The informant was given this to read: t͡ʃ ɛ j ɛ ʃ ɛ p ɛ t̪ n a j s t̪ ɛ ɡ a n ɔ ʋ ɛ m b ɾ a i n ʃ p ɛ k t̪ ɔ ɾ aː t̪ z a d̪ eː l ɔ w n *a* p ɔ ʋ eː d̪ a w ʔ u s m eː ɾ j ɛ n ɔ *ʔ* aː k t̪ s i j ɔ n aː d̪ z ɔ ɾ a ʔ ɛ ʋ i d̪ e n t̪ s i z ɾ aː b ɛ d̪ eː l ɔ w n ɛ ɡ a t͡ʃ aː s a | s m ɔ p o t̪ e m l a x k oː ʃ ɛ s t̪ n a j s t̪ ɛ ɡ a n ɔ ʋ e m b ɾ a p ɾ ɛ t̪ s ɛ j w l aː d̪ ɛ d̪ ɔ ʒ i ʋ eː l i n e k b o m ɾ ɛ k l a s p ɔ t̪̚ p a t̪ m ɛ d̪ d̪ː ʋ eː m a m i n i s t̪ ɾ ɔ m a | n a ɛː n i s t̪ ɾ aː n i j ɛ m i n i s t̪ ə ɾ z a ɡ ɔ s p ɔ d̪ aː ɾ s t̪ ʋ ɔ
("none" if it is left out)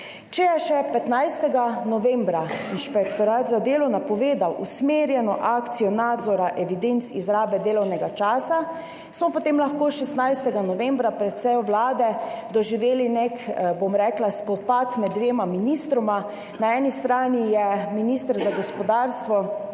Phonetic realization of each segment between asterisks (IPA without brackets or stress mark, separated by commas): a, ʔ